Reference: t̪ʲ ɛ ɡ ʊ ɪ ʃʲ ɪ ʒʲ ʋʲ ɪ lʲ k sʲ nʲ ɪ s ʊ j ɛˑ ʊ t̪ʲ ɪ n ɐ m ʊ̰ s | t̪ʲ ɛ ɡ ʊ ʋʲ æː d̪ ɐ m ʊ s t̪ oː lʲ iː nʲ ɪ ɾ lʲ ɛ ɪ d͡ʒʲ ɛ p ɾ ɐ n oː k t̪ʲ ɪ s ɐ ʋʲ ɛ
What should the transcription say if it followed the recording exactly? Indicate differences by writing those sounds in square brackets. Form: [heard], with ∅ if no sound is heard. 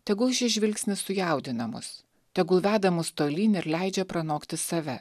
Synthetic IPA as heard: t̪ʲ ɛ ɡ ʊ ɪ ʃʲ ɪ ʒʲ ʋʲ ɪ lʲ k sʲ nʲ ɪ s ʊ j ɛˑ ʊ [d̪ʲ] ɪ n ɐ m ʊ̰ s | t̪ʲ ɛ ɡ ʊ ʋʲ æː d̪ ɐ m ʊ s t̪ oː lʲ iː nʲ ɪ ɾ lʲ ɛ ɪ d͡ʒʲ ɛ p ɾ ɐ n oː k t̪ʲ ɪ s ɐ ʋʲ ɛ